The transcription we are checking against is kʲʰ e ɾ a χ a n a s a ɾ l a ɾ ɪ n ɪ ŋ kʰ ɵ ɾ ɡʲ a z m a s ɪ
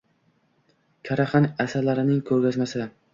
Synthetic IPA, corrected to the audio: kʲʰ a ɾ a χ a n a s a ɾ l a ɾ ɪ n ɪ ŋ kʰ ɵ ɾ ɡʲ a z m a s ɪ